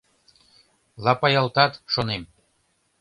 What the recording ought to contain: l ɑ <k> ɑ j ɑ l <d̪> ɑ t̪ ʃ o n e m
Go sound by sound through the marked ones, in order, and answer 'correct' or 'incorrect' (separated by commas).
incorrect, incorrect